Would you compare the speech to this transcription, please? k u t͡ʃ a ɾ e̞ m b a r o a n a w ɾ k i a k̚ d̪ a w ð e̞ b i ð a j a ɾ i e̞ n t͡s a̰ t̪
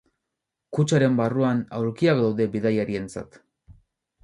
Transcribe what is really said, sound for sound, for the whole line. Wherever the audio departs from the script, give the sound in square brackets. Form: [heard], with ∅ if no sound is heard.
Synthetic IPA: k u t͡ʃ a ɾ e̞ m b a r [u] a n a w ɾ k i a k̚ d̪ a w ð e̞ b i ð a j a ɾ i e̞ n t͡s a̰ t̪